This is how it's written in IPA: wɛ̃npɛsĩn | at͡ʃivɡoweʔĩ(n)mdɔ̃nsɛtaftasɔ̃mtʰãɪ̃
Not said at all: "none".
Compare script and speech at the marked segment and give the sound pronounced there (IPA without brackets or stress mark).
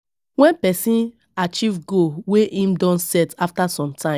none